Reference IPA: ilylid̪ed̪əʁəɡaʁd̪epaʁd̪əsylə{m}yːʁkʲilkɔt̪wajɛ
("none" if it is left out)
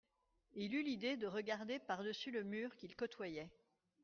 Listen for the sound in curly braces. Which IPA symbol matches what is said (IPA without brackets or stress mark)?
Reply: m